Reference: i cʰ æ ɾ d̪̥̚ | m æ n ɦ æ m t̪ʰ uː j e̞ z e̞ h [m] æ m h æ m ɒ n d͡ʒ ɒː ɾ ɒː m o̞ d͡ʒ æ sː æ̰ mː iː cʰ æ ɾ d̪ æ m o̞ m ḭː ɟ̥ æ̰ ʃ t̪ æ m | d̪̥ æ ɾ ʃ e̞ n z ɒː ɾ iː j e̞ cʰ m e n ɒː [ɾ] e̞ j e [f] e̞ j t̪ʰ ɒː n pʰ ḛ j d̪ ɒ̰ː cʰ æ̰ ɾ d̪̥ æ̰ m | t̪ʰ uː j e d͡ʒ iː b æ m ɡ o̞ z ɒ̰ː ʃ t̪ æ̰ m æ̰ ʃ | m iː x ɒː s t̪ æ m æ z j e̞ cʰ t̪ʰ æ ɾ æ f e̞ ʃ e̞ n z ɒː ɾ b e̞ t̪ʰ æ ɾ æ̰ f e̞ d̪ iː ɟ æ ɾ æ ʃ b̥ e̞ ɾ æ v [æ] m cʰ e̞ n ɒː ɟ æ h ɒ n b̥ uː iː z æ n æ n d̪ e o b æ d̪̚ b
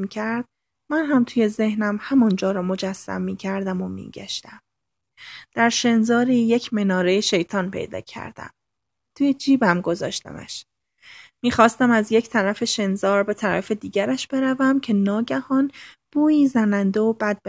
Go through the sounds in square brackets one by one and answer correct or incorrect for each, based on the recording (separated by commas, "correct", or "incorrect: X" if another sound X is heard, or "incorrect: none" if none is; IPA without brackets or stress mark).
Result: incorrect: n, correct, incorrect: ʃ, correct